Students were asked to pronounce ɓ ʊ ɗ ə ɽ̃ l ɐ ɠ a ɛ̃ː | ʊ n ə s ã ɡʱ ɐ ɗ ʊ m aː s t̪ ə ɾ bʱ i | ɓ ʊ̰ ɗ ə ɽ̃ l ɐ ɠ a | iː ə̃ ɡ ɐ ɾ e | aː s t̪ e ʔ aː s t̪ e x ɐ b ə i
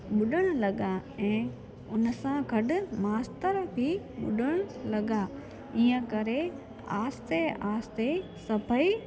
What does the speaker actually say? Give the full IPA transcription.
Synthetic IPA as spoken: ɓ ʊ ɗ ə ɽ̃ l ɐ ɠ a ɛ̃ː | ʊ n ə s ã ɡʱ ɐ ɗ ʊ m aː s t̪ ə ɾ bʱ i | ɓ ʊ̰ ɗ ə ɽ̃ l ɐ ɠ a | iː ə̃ k ɐ ɾ e | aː s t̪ e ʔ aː s t̪ e s ɐ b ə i